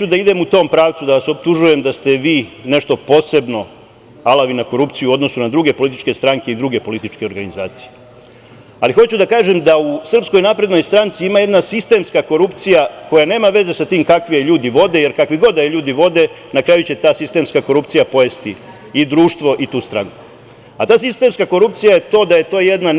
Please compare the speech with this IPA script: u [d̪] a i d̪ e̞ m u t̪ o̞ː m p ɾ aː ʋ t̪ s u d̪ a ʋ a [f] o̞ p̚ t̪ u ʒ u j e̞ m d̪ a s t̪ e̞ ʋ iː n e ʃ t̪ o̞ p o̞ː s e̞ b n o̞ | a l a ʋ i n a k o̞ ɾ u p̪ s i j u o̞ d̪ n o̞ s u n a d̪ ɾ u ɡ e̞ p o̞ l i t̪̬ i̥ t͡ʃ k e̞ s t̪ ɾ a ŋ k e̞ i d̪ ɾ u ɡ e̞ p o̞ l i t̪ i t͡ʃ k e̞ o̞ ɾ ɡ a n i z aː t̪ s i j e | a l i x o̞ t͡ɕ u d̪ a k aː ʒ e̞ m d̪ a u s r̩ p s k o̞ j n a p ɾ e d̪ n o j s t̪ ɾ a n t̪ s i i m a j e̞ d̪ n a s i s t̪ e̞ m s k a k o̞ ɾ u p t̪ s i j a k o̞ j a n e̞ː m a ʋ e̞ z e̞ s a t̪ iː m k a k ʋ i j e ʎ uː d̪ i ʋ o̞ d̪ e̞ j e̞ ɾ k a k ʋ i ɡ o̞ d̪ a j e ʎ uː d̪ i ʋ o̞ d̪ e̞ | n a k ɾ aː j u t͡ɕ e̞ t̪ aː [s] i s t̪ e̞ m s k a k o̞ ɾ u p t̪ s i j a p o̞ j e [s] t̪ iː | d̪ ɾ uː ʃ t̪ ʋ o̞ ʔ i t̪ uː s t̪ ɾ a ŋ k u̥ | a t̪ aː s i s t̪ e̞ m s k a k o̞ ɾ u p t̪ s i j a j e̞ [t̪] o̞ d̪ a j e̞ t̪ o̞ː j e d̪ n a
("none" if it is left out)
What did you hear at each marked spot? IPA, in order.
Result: d̪, s, s, s, t̪

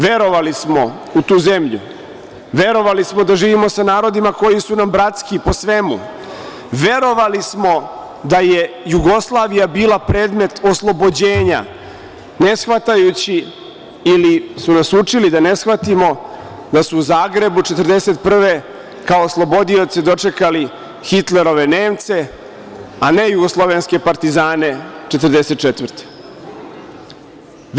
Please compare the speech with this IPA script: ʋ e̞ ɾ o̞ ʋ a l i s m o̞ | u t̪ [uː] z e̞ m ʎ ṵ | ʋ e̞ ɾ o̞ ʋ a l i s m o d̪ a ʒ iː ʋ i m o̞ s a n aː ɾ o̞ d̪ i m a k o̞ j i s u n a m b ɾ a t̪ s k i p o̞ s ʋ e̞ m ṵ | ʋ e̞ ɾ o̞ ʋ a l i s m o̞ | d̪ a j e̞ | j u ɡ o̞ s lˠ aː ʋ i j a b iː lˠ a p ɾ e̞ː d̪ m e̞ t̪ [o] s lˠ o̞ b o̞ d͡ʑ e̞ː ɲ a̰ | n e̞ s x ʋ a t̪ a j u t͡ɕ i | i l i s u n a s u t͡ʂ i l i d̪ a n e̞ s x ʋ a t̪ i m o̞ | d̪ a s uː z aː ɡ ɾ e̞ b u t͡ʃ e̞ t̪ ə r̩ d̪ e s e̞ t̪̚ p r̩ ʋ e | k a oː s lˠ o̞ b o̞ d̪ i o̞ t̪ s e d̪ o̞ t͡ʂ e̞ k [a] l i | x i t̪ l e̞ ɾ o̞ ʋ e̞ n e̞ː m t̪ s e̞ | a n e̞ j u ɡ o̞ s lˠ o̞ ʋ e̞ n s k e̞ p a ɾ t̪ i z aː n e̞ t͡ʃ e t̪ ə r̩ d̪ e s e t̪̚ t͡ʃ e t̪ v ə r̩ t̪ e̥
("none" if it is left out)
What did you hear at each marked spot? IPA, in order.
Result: uː, o, a

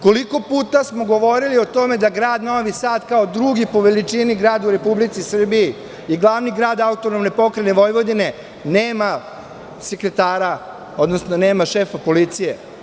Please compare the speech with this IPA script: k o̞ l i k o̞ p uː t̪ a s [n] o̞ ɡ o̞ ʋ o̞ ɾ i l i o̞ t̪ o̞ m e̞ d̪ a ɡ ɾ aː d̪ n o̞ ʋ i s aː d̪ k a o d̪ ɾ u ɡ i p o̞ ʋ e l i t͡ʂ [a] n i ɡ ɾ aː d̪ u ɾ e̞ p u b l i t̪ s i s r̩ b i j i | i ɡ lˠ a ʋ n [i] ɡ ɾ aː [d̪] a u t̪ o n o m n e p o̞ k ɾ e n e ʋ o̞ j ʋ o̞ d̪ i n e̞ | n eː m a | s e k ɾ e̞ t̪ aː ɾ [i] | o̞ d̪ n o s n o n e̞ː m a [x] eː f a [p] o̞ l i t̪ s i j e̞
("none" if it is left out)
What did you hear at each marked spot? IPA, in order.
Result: m, i, i, d̪, a, ʃ, p

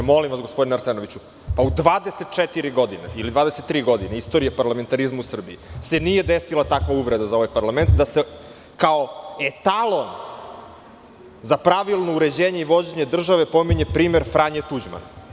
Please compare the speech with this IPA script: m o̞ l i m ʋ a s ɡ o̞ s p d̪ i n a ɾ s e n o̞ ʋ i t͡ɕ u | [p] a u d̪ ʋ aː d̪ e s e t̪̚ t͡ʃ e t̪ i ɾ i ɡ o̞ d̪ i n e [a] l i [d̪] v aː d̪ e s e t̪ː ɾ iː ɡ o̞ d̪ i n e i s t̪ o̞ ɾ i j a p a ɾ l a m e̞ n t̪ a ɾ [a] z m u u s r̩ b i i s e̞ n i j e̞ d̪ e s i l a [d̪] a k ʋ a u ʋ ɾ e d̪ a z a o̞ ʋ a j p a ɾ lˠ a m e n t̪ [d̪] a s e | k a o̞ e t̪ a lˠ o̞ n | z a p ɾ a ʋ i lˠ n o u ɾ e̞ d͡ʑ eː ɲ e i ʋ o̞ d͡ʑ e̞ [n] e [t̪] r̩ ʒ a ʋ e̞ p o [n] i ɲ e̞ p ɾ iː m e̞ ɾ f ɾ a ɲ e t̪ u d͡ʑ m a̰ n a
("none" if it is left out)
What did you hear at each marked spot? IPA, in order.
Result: p, i, d̪, i, t̪, d̪, ɲ, d̪, m

